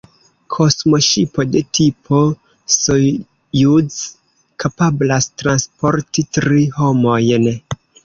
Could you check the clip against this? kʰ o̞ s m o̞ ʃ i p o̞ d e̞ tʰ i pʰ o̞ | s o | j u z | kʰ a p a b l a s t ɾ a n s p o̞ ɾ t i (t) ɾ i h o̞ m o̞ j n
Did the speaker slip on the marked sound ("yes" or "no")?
no